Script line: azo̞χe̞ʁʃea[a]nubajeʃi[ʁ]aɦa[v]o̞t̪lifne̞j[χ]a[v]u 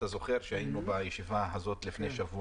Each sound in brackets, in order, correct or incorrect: incorrect, incorrect, incorrect, incorrect, correct

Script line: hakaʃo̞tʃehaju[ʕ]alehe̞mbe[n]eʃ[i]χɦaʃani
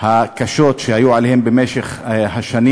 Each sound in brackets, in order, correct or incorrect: correct, incorrect, incorrect

